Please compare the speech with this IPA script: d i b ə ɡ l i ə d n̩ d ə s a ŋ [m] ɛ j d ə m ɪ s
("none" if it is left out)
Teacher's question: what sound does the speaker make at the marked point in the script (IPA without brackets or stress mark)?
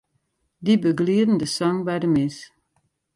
b